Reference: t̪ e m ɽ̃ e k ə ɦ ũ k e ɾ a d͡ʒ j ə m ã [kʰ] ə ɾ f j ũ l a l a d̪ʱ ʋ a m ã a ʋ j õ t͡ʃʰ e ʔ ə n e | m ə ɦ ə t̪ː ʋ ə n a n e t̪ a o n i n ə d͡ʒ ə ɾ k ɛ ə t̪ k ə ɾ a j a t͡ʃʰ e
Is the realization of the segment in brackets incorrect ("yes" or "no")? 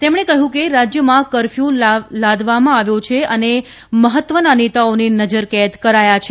yes